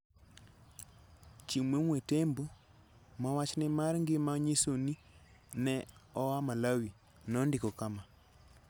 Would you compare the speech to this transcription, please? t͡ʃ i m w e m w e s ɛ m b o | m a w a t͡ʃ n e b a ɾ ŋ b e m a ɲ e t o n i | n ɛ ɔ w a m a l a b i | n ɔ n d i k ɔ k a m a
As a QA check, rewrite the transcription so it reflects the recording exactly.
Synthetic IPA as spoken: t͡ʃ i m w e m w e t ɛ m b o | m a w a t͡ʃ n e m a ɾ ŋ ɡ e m a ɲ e s o n i | n ɛ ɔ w a m a l a w i | n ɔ n d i k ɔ k a m a